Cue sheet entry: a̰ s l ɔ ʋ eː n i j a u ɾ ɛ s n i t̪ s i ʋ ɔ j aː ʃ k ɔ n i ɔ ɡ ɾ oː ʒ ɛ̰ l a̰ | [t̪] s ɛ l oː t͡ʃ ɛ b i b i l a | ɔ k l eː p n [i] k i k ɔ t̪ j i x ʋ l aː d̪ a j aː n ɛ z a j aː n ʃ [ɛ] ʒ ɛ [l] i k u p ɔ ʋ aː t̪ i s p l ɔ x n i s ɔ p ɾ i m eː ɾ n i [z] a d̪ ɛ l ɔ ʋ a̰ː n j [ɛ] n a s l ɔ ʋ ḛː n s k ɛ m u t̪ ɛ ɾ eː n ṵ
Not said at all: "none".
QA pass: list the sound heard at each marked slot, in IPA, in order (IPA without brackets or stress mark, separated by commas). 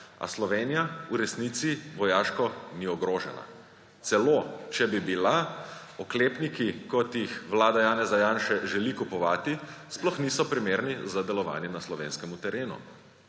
t̪, i, ɛ, l, z, ɛ